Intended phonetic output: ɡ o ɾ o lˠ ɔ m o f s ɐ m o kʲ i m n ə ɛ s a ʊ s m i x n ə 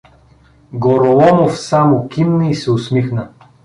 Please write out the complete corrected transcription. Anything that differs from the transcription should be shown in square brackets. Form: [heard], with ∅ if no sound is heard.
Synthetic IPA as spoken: ɡ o ɾ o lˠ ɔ m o f s [a] m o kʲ i m n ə [i] s [ɛ] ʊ s m i x n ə

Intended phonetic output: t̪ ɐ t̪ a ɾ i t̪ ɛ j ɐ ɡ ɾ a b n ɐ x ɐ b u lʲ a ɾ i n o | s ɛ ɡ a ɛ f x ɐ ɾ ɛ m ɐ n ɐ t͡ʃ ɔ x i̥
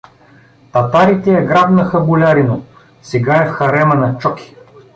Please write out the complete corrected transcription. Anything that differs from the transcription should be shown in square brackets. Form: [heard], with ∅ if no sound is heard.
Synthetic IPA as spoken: t̪ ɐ t̪ a ɾ i t̪ ɛ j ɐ ɡ ɾ a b n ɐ x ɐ b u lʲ a ɾ i n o | s ɛ ɡ a ɛ f x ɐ ɾ ɛ m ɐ n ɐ t͡ʃ ɔ [k] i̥

